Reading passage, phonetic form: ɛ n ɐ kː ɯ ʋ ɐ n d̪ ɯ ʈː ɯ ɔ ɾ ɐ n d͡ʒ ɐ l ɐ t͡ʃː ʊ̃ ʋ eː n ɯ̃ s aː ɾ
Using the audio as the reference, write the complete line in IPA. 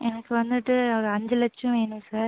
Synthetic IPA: ɛ n ɐ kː ɯ ʋ ɐ n d̪ ɯ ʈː ɯ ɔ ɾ ɐ ɲ d͡ʒ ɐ l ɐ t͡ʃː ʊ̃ ʋ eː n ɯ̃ s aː ɾ